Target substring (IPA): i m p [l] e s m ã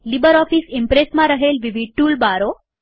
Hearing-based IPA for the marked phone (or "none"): ɾ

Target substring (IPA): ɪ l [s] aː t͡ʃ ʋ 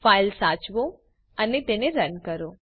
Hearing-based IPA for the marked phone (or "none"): s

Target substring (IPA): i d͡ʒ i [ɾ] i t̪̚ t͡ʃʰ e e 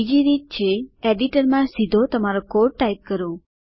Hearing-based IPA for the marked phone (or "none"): ɾ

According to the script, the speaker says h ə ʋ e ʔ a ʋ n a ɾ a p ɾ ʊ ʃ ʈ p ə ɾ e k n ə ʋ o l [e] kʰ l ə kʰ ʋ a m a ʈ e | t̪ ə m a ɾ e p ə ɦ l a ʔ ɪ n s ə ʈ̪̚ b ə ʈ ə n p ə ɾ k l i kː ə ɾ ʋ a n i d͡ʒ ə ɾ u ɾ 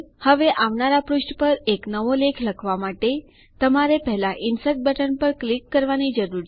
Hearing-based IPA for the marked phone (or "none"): e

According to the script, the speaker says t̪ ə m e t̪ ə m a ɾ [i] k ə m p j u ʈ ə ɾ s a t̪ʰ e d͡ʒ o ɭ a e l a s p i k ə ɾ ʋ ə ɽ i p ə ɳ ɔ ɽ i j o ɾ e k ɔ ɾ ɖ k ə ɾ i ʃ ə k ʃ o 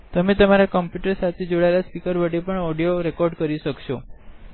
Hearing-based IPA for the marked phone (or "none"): a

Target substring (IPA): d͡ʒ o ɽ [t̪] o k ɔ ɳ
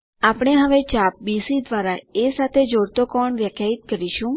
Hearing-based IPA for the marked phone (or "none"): t̪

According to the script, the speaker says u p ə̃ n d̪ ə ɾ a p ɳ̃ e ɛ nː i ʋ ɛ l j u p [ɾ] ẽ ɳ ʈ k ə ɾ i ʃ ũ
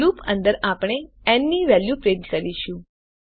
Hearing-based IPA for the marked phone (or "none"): ɾ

